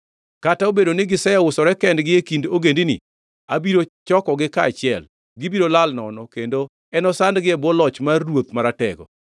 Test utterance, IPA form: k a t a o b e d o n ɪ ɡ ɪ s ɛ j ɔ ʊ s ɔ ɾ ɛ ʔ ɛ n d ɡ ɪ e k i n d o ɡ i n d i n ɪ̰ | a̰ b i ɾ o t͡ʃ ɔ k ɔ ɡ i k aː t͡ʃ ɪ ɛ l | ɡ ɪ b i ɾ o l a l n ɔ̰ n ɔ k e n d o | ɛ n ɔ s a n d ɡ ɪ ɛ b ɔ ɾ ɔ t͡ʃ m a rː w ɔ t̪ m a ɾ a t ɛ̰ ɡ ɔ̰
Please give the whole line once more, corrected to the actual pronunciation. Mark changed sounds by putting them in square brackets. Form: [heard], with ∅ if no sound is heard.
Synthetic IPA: k a t a o b e d o n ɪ ɡ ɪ s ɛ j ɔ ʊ s ɔ ɾ ɛ [k] ɛ n d ɡ ɪ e k i n d o ɡ [e] n d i n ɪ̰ | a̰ b i ɾ o t͡ʃ ɔ k ɔ ɡ [ɪ] k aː t͡ʃ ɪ ɛ l | ɡ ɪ b i ɾ o l a l n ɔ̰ n ɔ k e n d o | ɛ n ɔ s a n d ɡ ɪ ɛ b ɔ [l] ɔ t͡ʃ m a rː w [o] t̪ m a ɾ a t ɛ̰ ɡ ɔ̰